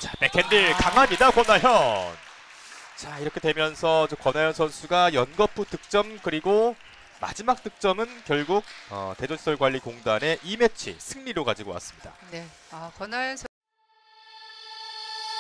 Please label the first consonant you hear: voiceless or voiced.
voiceless